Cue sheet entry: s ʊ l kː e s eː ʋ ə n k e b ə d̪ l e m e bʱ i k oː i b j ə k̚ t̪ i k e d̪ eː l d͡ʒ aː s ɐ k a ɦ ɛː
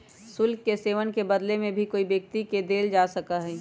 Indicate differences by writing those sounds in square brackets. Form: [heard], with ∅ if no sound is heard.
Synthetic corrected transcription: s ʊ l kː e s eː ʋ ə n k e b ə d̪ l e m [ẽ] bʱ i k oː i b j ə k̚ t̪ i k e d̪ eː l d͡ʒ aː s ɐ k a ɦ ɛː